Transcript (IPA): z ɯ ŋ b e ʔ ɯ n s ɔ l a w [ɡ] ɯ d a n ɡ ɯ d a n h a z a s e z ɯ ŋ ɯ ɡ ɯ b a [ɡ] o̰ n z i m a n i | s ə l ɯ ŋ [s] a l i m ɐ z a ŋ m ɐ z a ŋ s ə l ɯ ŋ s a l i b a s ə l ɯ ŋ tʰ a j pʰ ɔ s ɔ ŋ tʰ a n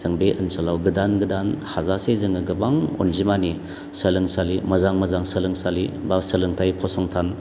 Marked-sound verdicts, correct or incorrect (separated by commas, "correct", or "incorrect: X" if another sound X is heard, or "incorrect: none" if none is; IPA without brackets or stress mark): correct, incorrect: ŋ, correct